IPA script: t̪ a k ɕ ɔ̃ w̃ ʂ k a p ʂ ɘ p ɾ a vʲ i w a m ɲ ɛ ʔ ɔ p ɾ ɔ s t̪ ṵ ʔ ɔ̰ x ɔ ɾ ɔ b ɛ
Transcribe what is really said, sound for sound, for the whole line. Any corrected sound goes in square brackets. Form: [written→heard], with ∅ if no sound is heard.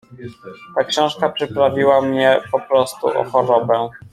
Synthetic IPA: t̪ a k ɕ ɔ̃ w̃ ʂ k a p ʂ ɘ p ɾ a vʲ i w a m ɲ ɛ [ʔ→p] ɔ p ɾ ɔ s t̪ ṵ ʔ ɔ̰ x ɔ ɾ ɔ b ɛ